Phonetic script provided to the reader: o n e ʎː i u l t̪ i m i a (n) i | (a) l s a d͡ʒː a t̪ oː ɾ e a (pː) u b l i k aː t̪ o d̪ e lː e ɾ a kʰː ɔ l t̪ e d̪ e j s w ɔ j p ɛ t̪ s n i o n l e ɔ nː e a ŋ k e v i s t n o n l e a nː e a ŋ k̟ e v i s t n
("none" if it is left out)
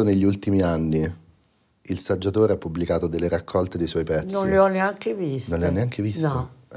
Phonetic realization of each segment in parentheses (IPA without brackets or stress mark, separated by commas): nː, i, pː